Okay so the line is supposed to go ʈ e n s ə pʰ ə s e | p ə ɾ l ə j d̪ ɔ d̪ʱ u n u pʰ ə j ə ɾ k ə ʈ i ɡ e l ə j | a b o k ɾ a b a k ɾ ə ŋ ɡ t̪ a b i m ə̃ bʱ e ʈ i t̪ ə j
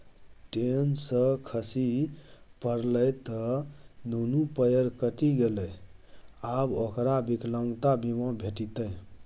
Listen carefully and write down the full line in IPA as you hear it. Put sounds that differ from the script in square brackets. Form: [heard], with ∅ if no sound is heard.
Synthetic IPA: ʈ e n s ə [kʰ] ə s [i] | p ə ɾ l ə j [t̪] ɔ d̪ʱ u n u [p] ə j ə ɾ k ə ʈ i ɡ e l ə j | a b o k ɾ a b [i] k [l] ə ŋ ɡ t̪ a b i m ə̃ bʱ e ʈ i t̪ ə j